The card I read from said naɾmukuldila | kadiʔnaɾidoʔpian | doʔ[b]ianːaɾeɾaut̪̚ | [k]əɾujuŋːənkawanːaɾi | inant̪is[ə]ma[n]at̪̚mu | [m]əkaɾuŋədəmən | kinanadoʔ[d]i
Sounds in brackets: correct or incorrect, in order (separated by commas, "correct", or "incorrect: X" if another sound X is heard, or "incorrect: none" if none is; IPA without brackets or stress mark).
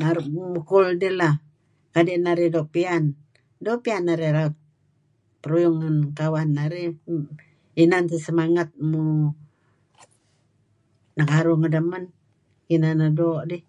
incorrect: p, incorrect: p, correct, incorrect: ŋ, incorrect: n, correct